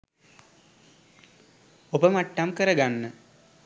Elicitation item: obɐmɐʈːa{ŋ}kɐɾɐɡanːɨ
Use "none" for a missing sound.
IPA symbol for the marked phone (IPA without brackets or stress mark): m